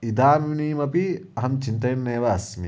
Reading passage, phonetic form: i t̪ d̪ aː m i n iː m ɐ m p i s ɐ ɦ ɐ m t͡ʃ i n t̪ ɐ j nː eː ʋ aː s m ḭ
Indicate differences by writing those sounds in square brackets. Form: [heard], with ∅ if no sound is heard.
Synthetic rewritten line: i [∅] d̪ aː m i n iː m ɐ [∅] p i [∅] ɐ ɦ ɐ m t͡ʃ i n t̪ ɐ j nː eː ʋ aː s m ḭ